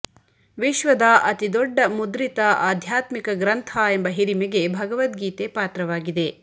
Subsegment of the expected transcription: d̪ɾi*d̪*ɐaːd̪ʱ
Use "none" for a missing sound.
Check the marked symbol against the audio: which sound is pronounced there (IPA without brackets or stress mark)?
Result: t̪